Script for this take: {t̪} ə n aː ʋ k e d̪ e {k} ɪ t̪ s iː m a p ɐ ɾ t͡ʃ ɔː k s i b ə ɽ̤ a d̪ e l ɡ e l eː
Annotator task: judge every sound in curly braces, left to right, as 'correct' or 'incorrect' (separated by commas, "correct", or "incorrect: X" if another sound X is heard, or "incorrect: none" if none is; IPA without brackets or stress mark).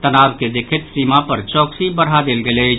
correct, incorrect: kʰ